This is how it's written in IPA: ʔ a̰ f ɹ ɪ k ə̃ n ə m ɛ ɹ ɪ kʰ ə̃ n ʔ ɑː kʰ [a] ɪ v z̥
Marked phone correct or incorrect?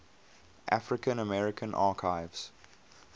correct